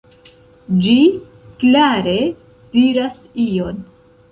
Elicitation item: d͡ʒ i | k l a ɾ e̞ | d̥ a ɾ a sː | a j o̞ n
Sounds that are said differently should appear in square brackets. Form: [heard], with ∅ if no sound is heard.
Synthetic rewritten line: d͡ʒ i | k l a ɾ e̞ | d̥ [i] ɾ a [s] | [i] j o̞ n

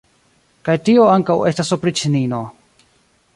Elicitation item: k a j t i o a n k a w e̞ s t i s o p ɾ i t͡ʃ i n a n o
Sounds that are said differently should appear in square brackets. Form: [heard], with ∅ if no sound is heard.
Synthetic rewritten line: k a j t i o a [ŋ] k a w e̞ s t [a] s o p ɾ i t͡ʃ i n [i] n o

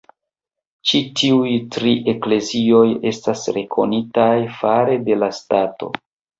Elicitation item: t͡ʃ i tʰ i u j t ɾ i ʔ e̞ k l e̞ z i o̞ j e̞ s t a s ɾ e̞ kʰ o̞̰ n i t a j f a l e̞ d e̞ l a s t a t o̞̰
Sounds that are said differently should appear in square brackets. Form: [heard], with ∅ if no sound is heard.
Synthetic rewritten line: t͡ʃ i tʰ i u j t ɾ i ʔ e̞ k l e̞ z i o̞ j e̞ s t a s ɾ e̞ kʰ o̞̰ n i t a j f a [ɾ] e̞ d e̞ l a s t a t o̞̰

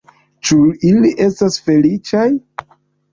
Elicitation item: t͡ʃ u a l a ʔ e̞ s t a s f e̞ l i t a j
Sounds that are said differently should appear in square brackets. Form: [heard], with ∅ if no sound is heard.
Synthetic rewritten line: t͡ʃ u [i] l [i] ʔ e̞ s t a s f e̞ l i [t͡ʃ] a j

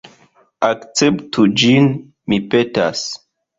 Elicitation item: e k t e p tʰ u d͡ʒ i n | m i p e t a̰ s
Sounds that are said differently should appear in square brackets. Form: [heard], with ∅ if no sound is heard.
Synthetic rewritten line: [a] k [t͡s] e p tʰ u d͡ʒ i n | m i p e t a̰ s

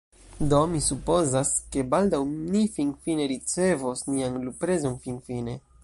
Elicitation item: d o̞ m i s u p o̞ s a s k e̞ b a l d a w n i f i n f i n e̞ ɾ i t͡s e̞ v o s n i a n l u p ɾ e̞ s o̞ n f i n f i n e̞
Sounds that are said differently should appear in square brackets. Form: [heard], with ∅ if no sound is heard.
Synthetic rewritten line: d o̞ m i s u p o̞ [z] a s k e̞ b a l d a w n i f i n f i n e̞ ɾ i t͡s e̞ v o s n i a n l u p ɾ e̞ [z] o̞ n f i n f i n e̞

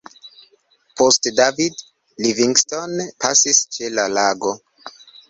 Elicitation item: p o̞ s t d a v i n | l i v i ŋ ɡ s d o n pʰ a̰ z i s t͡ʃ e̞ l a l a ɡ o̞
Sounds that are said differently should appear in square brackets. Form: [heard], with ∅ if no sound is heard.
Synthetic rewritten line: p o̞ s t d a v i [d] | l i v i ŋ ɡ s [t] o n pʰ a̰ [s] i s t͡ʃ e̞ l a l a ɡ o̞

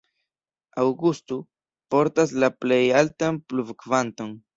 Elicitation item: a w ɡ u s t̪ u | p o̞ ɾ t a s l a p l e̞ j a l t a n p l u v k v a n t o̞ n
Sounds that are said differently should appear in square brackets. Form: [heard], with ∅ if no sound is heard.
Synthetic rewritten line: a w ɡ u s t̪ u | p o̞ ɾ t a s l a p l e̞ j a l t a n p l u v k v a n t o̞ n

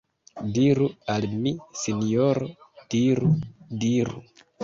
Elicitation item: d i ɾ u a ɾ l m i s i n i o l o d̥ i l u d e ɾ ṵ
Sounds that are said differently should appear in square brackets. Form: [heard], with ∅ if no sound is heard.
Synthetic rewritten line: d i ɾ u a [∅] l m i s i n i o [ɾ] o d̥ i [ɾ] u d [i] ɾ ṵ

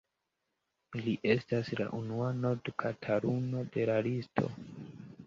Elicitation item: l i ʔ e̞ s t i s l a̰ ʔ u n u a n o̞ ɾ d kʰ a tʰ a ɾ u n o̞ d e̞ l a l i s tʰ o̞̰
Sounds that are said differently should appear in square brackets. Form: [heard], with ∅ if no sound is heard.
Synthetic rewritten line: l i ʔ e̞ s t [a] s l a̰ ʔ u n u a n o̞ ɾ d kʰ a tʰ a ɾ u n o̞ d e̞ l a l i s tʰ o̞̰

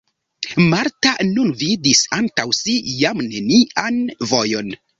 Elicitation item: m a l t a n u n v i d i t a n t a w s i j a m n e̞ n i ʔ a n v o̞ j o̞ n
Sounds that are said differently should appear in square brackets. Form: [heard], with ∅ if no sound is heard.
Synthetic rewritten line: m a [ɾ] t a n u n v i d i [s] a n t a w s i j a m n e̞ n i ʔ a n v o̞ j o̞ n

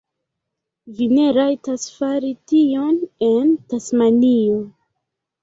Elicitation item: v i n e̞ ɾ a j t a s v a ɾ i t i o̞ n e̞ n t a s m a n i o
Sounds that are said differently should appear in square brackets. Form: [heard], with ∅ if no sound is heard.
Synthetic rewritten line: v i n e̞ ɾ a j t a s [f] a ɾ i t i o̞ n e̞ n t a s m a n i o

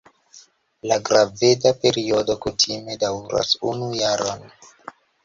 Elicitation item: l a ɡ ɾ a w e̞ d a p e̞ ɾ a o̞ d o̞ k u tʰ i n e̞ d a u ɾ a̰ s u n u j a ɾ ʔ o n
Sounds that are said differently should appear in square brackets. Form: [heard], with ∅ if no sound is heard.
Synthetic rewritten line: l a ɡ ɾ a [v] e̞ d a p e̞ ɾ [i] o̞ d o̞ k u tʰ i [m] e̞ d a [w] ɾ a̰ s u n u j a ɾ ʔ o n

